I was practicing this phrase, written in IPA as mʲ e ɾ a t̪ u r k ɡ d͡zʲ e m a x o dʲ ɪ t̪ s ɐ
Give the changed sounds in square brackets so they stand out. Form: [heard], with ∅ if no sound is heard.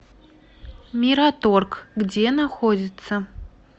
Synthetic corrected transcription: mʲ [i] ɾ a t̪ [o] r k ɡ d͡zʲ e [n] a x o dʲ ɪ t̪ s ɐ